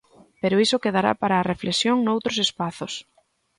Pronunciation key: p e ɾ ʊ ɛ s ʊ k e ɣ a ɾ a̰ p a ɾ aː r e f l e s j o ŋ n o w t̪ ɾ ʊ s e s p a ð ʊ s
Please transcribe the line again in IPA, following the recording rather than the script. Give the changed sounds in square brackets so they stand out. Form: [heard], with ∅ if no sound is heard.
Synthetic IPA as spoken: p e ɾ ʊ [i] s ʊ k e [ð] a ɾ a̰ p a ɾ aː r e f l e s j o ŋ n o w t̪ ɾ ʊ s e s p a [θ] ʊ s